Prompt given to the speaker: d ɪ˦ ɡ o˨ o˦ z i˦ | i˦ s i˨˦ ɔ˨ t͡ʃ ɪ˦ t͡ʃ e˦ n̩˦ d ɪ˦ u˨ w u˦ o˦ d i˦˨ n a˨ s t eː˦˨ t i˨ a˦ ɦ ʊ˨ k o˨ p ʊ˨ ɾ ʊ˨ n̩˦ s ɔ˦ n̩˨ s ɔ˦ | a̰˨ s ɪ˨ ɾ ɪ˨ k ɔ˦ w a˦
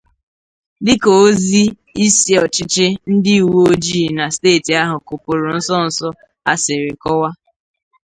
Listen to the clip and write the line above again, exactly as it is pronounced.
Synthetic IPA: d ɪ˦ k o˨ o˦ z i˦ | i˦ s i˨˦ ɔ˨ t͡ʃ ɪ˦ t͡ʃ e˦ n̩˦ d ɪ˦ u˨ w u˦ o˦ d͡ʒ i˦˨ n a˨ s t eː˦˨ t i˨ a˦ ɦ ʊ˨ k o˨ p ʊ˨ ɾ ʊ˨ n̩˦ s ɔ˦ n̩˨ s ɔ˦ | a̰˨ s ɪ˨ ɾ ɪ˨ k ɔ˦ w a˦